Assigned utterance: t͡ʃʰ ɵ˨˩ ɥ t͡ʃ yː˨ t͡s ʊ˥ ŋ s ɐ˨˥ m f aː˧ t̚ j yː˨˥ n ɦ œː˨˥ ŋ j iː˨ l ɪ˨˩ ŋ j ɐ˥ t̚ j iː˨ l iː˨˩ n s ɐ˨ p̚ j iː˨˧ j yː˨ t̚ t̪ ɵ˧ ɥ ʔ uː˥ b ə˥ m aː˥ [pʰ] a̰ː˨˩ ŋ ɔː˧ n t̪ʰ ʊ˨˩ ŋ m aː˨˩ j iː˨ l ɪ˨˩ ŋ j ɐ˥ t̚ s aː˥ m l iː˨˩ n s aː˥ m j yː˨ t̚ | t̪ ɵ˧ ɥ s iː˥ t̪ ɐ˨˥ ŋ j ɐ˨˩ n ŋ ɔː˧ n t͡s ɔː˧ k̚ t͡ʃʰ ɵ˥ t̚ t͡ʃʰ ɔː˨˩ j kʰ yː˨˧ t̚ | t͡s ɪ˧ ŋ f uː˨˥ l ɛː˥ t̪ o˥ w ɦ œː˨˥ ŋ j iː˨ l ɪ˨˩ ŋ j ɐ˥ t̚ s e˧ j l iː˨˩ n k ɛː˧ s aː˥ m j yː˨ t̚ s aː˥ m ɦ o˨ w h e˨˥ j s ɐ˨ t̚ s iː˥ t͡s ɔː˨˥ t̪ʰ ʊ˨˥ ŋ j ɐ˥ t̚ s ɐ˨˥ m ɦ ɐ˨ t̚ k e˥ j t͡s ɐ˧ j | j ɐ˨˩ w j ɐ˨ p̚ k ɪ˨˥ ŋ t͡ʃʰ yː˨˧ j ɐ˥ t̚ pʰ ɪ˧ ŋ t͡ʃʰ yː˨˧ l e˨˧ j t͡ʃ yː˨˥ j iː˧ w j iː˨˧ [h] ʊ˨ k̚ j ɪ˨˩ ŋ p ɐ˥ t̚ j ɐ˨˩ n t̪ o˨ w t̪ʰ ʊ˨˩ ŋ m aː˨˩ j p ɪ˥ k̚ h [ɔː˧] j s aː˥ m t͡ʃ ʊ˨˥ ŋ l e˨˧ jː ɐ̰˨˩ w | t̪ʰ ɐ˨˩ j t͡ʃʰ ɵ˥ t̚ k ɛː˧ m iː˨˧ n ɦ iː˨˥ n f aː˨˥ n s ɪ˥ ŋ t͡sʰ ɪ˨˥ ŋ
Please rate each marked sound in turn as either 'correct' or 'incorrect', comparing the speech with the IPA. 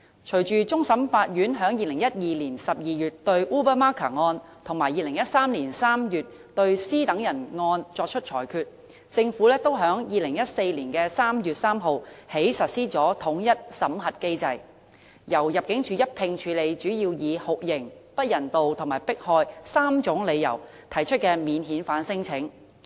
incorrect: kʰ, correct, correct

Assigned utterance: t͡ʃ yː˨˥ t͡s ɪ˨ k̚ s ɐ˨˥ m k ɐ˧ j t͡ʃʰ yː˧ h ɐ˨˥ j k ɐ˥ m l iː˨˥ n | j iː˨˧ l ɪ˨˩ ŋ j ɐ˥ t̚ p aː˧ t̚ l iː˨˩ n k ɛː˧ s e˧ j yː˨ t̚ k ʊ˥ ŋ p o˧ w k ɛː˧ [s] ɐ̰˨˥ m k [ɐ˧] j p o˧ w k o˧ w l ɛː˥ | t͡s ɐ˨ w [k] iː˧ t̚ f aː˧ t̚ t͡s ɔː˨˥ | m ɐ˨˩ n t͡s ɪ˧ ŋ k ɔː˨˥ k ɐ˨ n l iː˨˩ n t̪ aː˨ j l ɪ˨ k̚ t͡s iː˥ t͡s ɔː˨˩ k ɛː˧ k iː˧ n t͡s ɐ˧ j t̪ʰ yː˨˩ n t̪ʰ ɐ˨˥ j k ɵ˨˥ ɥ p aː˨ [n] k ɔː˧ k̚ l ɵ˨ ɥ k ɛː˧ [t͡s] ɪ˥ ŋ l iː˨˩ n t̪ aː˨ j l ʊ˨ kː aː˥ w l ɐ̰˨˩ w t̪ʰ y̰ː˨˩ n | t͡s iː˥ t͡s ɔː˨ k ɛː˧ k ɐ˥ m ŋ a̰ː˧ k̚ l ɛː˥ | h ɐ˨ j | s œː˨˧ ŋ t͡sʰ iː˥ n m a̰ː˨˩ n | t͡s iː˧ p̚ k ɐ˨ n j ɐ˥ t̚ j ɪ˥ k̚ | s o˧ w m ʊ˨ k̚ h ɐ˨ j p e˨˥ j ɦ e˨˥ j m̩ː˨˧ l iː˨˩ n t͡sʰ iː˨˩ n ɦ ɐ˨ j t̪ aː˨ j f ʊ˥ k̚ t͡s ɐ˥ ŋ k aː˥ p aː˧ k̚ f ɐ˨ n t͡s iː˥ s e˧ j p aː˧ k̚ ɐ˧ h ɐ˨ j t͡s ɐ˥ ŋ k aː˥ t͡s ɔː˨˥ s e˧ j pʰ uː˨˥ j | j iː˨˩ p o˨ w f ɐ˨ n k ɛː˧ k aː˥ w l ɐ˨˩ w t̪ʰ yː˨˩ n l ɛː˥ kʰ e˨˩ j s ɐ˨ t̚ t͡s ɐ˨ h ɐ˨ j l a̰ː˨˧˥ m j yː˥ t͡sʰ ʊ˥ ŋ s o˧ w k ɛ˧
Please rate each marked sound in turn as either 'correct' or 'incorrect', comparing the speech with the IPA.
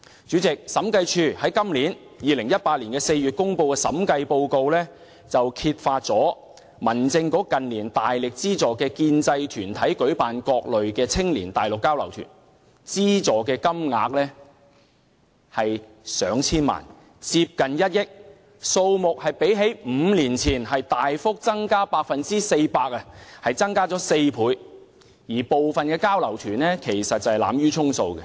correct, correct, incorrect: kʰ, correct, incorrect: t͡sʰ

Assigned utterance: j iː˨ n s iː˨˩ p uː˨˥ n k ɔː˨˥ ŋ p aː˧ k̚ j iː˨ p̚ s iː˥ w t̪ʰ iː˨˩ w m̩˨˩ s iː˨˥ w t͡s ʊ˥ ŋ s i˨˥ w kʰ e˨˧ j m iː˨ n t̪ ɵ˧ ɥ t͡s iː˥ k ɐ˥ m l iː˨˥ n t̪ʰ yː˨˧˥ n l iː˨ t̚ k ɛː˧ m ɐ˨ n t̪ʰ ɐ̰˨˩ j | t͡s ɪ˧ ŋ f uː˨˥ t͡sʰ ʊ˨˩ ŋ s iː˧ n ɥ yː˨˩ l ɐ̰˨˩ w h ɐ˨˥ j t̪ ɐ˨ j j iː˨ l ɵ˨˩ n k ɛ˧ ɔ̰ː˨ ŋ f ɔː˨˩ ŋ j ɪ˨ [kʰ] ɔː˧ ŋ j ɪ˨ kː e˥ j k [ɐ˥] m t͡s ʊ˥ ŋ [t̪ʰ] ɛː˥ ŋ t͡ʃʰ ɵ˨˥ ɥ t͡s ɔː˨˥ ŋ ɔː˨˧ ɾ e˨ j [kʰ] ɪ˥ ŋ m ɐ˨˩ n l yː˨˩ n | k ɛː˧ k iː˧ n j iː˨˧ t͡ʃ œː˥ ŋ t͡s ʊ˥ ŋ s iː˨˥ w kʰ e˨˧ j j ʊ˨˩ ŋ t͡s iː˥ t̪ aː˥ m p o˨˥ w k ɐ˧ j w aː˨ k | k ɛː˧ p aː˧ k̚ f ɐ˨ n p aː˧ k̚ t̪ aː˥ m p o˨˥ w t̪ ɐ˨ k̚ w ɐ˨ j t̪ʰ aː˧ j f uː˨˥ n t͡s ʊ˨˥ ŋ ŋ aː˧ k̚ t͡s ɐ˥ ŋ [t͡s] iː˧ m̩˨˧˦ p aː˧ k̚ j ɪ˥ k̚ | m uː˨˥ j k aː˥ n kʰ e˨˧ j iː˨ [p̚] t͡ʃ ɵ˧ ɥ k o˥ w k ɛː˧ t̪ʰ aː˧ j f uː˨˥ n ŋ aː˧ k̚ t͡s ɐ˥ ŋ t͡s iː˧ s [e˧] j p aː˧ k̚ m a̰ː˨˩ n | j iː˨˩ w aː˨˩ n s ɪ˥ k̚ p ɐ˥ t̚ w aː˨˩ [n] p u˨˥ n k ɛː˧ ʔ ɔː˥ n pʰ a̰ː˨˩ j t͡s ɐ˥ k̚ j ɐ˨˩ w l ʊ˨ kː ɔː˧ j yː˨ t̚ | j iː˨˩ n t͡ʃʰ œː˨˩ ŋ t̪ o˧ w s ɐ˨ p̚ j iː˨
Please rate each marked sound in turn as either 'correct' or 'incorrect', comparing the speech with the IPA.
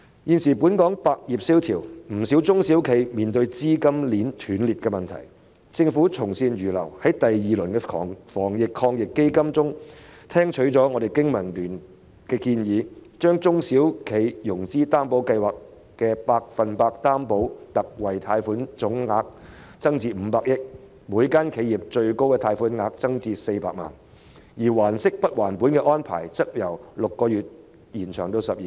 correct, correct, correct, incorrect: k, correct, correct, correct, correct

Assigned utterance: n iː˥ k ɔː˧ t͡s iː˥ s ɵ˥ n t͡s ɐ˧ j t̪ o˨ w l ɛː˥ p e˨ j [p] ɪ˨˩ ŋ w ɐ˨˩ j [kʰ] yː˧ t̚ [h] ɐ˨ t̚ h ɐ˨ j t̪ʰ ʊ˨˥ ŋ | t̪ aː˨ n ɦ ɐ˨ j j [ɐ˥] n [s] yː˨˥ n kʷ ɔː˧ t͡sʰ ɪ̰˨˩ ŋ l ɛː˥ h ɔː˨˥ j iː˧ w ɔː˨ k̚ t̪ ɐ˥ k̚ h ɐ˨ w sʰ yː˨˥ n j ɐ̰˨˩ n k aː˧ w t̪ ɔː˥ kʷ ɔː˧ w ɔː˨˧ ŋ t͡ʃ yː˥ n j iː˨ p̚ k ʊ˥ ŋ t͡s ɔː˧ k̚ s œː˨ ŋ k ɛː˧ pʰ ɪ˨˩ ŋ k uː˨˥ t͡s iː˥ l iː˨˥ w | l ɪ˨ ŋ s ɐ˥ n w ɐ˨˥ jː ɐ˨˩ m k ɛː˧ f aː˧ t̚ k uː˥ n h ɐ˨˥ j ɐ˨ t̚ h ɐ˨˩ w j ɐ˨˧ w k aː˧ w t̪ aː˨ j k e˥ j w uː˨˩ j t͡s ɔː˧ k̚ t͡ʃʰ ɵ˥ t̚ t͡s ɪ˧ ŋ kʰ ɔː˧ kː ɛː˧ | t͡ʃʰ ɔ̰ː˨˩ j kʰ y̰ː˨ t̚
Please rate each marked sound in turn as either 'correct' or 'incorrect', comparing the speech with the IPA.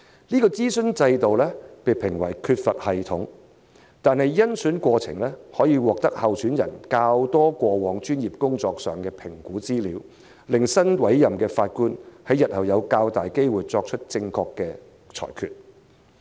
incorrect: pʰ, correct, incorrect: f, correct, correct

